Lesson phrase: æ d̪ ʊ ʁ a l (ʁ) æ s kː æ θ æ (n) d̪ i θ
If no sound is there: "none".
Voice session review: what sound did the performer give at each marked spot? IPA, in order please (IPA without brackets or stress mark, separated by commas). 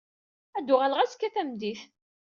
ʁ, m